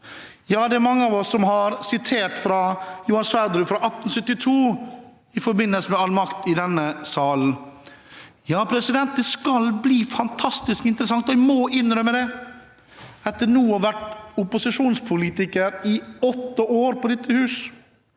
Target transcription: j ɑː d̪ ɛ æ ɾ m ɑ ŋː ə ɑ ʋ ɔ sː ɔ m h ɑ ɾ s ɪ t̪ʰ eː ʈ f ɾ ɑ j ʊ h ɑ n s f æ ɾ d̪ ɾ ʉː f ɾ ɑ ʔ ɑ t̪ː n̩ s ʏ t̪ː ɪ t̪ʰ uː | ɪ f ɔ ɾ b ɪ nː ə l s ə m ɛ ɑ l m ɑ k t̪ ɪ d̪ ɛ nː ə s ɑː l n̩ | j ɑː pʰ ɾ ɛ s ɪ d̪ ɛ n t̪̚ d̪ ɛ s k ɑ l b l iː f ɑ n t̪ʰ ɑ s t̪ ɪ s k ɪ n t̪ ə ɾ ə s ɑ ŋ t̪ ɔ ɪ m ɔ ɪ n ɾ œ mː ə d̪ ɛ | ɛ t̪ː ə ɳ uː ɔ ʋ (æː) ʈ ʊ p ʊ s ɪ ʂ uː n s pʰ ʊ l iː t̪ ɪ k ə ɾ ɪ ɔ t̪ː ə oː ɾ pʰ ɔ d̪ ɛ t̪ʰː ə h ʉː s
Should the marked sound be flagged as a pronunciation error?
yes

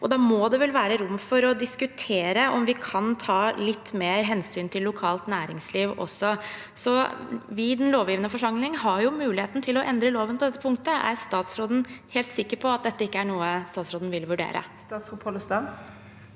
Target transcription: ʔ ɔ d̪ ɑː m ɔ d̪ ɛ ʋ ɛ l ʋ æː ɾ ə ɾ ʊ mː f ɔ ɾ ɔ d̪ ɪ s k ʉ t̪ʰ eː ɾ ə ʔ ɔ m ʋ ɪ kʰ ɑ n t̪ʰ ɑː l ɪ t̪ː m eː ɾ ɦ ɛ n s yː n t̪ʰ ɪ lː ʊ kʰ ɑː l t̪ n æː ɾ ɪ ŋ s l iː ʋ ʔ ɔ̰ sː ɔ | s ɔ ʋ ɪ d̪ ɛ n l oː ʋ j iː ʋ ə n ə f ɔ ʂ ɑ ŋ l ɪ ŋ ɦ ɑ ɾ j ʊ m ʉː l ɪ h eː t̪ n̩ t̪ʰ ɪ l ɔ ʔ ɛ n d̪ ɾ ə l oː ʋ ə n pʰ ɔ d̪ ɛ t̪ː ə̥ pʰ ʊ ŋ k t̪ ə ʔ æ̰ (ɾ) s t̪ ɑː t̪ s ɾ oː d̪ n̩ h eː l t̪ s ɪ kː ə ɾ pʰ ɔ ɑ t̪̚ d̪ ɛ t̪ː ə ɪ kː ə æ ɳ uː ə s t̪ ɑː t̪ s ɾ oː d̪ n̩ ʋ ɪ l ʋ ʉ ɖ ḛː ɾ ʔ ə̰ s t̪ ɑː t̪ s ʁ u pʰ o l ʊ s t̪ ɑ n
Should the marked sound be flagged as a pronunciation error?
no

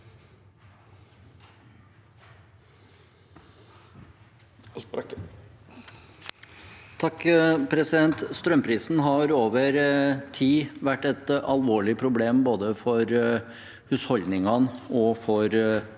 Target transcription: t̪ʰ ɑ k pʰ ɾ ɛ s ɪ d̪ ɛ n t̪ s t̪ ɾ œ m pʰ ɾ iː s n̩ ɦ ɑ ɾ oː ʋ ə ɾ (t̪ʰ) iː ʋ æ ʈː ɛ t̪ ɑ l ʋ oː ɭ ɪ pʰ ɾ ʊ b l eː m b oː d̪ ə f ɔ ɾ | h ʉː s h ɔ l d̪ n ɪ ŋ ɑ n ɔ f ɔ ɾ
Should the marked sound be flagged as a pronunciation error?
no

